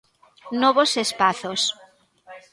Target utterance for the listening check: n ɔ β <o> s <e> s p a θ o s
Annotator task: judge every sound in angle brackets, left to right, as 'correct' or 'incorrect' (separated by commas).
correct, correct